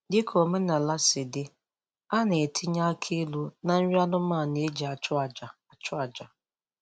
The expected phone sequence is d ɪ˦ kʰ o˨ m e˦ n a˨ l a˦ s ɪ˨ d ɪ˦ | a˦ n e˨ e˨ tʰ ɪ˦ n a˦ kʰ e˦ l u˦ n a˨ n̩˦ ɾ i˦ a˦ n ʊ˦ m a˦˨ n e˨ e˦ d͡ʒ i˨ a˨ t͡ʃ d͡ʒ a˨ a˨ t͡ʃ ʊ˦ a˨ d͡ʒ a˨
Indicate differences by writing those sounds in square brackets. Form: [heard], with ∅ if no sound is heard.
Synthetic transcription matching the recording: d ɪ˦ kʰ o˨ m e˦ n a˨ l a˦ s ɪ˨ d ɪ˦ | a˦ n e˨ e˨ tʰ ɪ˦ [ɲ] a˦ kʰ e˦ l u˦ n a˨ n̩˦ ɾ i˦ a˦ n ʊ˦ m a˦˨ n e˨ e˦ d͡ʒ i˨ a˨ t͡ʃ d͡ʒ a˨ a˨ t͡ʃ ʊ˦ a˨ d͡ʒ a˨